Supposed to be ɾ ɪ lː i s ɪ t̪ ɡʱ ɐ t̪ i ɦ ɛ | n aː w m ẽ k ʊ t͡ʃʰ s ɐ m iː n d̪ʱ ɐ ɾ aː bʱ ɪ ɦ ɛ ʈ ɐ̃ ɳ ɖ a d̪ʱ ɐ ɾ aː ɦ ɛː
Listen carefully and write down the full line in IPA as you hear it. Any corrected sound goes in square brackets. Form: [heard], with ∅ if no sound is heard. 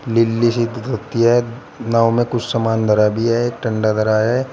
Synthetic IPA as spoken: [l] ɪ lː i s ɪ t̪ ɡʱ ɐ t̪ i ɦ ɛ | n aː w m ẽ k ʊ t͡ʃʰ s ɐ m [aː] n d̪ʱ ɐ ɾ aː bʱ [i] ɦ ɛ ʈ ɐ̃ ɳ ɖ a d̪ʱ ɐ ɾ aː ɦ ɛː